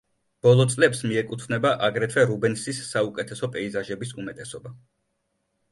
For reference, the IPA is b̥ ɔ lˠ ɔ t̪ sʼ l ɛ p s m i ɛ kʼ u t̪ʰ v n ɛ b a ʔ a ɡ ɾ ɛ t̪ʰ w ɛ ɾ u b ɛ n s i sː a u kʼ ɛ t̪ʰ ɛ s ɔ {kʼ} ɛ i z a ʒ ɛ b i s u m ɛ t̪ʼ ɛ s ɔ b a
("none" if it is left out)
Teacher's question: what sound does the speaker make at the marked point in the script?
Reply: pʼ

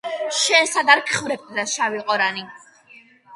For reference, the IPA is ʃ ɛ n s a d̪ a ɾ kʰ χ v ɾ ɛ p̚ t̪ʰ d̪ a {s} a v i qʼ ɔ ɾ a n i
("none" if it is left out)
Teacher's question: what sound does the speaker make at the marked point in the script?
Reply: ʃ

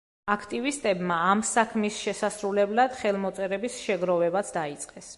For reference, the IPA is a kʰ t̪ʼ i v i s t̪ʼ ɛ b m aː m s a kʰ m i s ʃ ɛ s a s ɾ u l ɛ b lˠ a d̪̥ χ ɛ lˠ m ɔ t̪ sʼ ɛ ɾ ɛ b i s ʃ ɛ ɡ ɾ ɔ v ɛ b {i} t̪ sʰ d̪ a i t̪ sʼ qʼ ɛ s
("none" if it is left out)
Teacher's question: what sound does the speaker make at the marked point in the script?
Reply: a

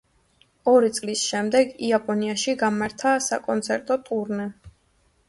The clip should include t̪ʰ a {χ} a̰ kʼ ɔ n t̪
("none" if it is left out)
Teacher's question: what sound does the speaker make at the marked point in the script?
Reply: s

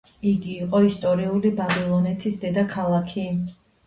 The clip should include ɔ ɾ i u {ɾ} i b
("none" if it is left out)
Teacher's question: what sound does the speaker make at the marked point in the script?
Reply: l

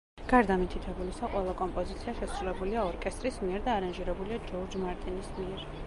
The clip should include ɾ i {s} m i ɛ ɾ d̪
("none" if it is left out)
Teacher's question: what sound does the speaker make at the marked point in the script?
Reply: s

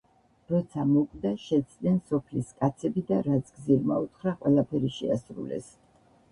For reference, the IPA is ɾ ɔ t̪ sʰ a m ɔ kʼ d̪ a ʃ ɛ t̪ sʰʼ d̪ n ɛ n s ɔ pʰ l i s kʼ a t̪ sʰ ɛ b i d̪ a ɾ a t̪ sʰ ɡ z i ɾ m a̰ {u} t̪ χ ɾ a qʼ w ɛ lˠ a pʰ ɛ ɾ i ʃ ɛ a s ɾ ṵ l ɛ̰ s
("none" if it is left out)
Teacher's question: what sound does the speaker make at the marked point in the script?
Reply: u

